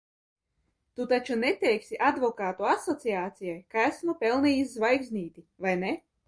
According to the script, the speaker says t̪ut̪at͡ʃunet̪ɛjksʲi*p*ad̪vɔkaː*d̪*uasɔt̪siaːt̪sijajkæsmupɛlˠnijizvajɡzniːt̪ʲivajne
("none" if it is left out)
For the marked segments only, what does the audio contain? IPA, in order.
ʔ, t̪

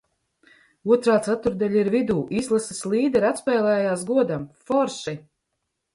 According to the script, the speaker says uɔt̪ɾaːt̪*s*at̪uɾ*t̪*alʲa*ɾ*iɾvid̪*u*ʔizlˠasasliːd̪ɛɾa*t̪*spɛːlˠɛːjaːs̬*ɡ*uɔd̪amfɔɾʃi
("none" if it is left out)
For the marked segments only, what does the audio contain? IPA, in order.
s, d̪, none, uː, t̪, ɡ

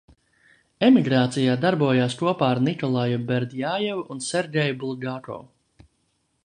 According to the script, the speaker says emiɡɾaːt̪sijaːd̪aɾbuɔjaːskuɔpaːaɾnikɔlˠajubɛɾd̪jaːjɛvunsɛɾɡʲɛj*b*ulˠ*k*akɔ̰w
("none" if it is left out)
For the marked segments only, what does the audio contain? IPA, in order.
b, ɡ

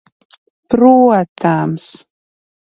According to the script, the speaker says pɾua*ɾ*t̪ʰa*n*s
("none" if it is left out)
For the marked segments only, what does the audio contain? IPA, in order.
none, m

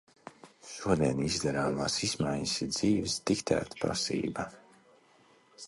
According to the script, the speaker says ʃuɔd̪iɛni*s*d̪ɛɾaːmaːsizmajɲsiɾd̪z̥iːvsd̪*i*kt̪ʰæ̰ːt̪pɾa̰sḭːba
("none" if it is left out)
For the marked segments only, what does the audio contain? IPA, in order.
z, i

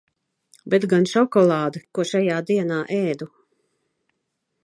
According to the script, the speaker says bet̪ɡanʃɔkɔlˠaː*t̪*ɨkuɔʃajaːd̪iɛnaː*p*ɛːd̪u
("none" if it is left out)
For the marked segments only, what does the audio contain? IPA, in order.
d̪, ʔ

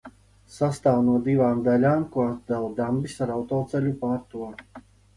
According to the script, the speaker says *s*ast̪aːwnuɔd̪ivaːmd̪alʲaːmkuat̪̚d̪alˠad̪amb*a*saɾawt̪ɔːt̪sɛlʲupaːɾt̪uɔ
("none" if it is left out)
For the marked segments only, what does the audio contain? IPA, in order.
s, i

